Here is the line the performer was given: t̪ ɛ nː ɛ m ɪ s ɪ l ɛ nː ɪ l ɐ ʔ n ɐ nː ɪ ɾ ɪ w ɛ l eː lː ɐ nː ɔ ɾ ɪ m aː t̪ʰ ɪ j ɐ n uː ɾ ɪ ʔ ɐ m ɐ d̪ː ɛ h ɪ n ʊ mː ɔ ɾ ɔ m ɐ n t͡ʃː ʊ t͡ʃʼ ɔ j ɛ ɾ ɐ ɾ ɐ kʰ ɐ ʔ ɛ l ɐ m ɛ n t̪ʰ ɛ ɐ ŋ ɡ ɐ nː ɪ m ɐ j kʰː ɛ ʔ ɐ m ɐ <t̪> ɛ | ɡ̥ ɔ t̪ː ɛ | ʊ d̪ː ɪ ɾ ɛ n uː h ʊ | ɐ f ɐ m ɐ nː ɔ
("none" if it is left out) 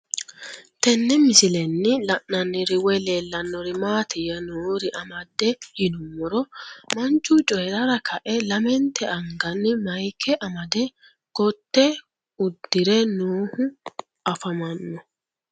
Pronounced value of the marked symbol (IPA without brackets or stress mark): d̪